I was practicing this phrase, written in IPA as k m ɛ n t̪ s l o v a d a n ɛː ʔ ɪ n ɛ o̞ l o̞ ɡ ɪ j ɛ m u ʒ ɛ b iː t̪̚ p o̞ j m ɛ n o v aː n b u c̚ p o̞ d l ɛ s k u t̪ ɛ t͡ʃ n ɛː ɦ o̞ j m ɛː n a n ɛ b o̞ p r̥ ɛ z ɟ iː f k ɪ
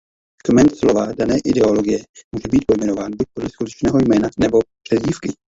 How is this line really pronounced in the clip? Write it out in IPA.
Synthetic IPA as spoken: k m ɛ n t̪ s l o v a d a n ɛː ʔ ɪ d ɛ o̞ l o̞ ɡ ɪ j ɛ m u ʒ ɛ b iː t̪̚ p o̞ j m ɛ n o v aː n b u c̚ p o̞ d l ɛ s k u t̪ ɛ t͡ʃ n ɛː ɦ o̞ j m ɛː n a n ɛ b o̞ p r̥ ɛ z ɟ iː f k ɪ